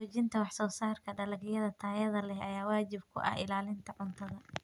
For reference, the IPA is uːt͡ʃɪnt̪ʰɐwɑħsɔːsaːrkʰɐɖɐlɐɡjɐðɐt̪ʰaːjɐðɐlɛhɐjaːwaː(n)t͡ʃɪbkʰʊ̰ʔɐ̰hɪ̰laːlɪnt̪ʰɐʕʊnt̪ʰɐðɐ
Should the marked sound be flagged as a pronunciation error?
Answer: yes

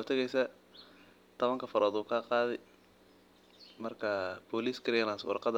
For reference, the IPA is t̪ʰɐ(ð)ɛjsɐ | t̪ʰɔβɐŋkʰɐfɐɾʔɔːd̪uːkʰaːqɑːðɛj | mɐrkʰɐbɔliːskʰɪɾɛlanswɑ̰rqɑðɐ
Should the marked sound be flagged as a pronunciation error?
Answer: yes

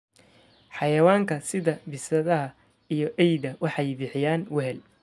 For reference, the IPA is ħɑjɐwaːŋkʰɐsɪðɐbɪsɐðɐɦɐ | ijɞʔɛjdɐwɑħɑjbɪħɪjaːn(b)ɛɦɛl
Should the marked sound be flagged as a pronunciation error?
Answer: yes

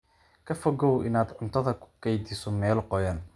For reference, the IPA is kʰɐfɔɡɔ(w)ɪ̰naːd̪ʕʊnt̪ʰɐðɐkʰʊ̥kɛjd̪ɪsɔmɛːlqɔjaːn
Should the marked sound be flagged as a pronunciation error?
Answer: no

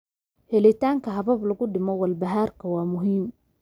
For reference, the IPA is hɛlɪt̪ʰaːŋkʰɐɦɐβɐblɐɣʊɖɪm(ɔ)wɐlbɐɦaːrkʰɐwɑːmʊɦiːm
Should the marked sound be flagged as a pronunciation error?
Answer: no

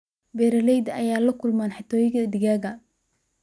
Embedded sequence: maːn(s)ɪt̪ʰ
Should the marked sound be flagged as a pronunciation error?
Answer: yes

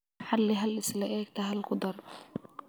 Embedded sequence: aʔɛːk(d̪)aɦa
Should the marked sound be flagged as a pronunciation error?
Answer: yes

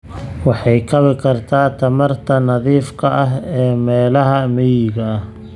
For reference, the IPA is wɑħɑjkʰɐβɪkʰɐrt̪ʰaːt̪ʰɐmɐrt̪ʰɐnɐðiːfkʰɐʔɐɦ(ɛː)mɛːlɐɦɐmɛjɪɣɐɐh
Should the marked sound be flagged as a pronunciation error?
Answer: no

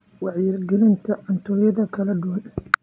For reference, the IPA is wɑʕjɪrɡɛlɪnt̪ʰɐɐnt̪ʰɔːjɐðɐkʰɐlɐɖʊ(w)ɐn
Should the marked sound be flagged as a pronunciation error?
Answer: no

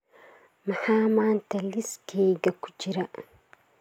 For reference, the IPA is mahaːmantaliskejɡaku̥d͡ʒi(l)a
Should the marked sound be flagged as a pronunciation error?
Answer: yes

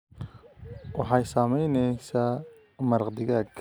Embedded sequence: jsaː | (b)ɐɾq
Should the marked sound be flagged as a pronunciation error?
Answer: yes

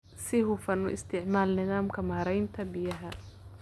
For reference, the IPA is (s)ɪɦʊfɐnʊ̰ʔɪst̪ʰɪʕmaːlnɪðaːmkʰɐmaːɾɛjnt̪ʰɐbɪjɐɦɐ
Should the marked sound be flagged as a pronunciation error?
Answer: no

